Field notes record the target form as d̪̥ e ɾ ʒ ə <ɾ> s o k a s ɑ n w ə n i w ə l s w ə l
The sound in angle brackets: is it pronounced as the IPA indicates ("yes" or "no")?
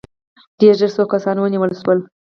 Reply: yes